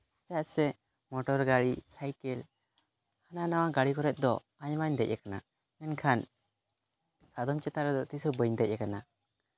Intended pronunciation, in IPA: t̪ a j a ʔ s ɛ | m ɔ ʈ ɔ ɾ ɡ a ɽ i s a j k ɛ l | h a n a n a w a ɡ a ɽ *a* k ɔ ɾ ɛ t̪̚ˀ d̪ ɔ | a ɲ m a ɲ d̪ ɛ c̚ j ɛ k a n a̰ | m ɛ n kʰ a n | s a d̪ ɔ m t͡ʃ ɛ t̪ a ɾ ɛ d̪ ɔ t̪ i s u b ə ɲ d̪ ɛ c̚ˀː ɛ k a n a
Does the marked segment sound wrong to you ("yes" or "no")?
yes